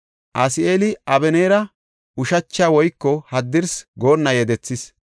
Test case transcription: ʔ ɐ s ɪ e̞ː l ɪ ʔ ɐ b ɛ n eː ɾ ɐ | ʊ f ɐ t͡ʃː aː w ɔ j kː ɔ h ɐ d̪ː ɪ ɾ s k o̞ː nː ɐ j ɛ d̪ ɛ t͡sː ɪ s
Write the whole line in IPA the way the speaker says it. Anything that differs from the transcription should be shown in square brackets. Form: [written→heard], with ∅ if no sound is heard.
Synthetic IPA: ʔ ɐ s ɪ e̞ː l ɪ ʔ ɐ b ɛ n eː ɾ ɐ | ʊ [f→ʃ] ɐ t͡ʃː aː w ɔ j kː ɔ h ɐ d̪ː ɪ ɾ s [k→ɡ] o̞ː nː ɐ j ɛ d̪ ɛ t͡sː ɪ s